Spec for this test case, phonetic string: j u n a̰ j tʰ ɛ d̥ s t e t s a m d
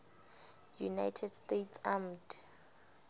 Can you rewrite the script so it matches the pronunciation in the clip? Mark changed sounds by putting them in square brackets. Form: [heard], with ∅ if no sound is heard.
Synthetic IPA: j u n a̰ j tʰ ɛ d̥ s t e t s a m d